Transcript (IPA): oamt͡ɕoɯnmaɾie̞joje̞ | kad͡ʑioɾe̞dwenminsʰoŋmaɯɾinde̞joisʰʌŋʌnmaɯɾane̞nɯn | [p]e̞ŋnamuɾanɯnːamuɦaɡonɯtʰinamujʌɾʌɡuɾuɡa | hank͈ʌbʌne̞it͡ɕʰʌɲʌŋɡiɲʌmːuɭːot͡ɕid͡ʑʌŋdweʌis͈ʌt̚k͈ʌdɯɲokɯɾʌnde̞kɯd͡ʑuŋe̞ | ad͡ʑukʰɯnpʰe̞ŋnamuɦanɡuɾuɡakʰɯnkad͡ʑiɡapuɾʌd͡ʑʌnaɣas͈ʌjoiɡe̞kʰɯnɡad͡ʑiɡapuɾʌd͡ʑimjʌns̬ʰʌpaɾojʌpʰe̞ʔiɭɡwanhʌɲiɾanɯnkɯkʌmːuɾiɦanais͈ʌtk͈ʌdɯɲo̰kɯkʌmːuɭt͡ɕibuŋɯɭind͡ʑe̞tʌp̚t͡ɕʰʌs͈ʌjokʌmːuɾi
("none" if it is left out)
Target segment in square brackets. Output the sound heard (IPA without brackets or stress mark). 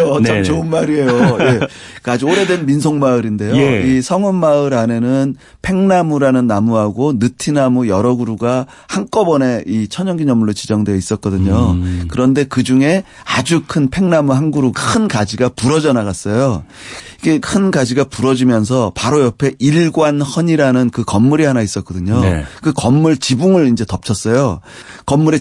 pʰ